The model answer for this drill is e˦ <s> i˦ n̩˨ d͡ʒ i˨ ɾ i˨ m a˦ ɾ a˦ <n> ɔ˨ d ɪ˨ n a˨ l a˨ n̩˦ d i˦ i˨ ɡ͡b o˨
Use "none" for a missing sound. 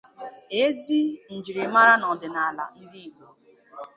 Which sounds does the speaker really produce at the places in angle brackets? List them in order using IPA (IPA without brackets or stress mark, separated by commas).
z, n